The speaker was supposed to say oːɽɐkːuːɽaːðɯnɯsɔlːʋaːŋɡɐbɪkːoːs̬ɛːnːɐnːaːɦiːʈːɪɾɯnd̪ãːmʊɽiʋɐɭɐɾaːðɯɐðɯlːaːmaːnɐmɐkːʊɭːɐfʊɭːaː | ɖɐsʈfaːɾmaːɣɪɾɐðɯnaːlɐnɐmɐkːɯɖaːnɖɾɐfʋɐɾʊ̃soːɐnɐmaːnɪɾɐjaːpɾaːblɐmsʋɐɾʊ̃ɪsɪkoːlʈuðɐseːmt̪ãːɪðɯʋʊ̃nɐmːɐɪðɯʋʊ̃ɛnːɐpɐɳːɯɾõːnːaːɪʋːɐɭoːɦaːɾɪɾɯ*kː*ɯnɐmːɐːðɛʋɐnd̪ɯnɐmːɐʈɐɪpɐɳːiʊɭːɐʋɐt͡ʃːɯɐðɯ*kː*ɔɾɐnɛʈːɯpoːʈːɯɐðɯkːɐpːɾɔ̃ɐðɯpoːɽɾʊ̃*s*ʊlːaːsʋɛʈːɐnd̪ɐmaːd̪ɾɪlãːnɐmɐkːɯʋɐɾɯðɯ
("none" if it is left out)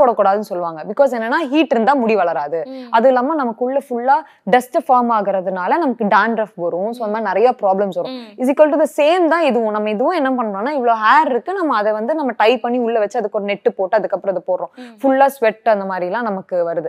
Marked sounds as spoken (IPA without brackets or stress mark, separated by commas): kː, kː, f